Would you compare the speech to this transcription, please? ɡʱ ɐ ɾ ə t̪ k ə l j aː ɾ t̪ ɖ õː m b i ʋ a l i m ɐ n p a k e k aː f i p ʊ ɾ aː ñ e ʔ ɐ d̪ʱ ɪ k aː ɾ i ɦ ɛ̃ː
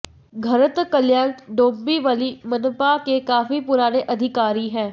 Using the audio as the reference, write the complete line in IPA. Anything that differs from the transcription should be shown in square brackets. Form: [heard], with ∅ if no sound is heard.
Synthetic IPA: ɡʱ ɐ ɾ ə t̪ k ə l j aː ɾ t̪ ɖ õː m b i ʋ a l i m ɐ n p a k e k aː f i p ʊ ɾ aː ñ e ʔ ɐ d̪ʱ ɪ k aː ɾ i ɦ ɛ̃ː